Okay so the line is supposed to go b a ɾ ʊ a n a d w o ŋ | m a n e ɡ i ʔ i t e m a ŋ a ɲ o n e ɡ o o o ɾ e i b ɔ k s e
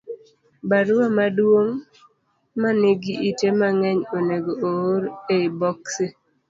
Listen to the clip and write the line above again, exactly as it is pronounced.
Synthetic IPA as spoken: b a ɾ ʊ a m a d w o ŋ | m a n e ɡ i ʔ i t e m a ŋ ɛ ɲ o n e ɡ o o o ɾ e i b ɔ k s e